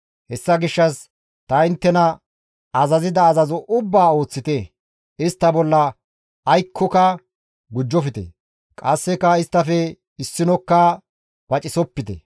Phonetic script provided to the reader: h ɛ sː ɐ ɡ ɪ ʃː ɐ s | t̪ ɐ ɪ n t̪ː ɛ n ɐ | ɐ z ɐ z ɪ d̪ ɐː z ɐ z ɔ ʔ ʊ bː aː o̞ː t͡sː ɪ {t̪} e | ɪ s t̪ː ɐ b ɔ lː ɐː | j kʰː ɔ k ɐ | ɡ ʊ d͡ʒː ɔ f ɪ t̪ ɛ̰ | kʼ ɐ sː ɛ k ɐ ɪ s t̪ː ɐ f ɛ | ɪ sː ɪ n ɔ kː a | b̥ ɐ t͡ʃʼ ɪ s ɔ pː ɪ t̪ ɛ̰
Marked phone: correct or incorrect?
correct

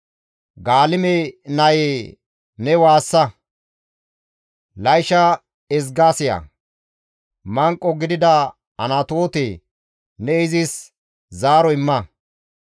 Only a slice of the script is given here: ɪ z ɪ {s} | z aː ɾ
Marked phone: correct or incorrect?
correct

